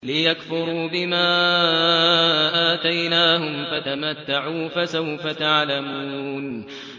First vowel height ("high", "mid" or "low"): high